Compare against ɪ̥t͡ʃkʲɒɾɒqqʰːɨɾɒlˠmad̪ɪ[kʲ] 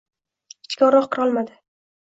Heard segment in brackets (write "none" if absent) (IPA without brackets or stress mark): none